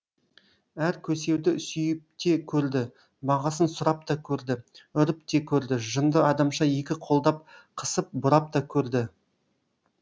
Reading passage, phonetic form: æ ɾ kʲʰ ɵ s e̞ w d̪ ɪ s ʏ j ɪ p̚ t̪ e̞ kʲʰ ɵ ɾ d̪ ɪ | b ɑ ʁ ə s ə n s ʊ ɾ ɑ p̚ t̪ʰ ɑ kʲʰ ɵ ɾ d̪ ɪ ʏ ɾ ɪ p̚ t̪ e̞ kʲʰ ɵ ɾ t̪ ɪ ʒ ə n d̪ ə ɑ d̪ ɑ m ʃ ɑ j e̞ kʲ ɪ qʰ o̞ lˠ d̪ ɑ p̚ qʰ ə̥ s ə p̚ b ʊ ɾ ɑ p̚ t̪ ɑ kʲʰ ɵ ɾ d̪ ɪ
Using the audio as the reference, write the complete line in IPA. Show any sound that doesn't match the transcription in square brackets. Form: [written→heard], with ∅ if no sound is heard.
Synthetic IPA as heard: æ ɾ kʲʰ ɵ s e̞ w d̪ ɪ s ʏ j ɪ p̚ t̪ e̞ kʲʰ ɵ ɾ d̪ ɪ | b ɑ ʁ [ə→ɑ] s ə n s ʊ ɾ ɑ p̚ [t̪ʰ→t̪] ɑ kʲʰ ɵ ɾ d̪ ɪ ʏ ɾ ɪ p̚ t̪ e̞ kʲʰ ɵ ɾ [t̪→d̪] ɪ ʒ ə n d̪ ə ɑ d̪ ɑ m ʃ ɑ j e̞ kʲ ɪ qʰ o̞ lˠ d̪ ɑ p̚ qʰ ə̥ s ə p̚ b ʊ ɾ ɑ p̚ t̪ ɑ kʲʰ ɵ ɾ d̪ ɪ